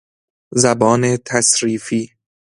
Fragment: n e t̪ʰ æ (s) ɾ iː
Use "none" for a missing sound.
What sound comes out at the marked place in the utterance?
s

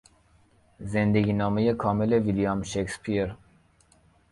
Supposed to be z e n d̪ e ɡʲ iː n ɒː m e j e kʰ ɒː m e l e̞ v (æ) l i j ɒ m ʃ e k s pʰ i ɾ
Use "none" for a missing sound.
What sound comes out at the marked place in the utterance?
i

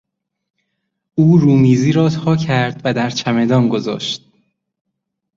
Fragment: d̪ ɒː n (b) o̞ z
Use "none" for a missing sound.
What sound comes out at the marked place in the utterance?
ɡ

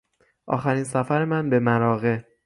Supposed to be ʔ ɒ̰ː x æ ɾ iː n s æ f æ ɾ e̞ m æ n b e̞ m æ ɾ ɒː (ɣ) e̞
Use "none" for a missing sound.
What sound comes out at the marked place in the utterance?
ɣ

